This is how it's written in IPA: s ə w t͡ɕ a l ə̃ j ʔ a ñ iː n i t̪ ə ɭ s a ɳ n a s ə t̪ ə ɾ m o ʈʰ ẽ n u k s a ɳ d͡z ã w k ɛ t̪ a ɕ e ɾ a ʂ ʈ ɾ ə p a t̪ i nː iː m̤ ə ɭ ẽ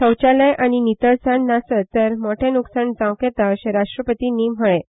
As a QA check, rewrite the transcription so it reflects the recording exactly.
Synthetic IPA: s ə w t͡ɕ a l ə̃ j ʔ a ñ i n i t̪ ə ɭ s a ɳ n a s ə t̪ ə ɾ m o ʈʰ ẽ n u k s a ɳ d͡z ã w k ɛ t̪ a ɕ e ɾ a ʂ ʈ ɾ ə p ə t̪ i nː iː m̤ ə ɭ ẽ